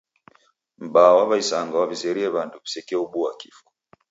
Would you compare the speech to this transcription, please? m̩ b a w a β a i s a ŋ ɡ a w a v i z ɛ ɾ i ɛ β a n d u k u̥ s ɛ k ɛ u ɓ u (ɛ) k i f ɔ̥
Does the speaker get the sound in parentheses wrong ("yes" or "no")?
yes